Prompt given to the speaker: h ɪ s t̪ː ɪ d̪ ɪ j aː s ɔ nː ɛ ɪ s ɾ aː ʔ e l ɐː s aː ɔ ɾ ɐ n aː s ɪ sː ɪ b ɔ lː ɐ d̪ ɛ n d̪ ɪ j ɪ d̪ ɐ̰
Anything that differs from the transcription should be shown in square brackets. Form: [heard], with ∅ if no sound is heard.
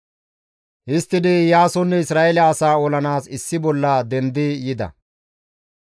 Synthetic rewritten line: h ɪ s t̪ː ɪ d̪ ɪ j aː s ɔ nː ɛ ɪ s ɾ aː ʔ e l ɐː s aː ɔ [l] ɐ n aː s ɪ sː ɪ b ɔ lː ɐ d̪ ɛ n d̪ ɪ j ɪ d̪ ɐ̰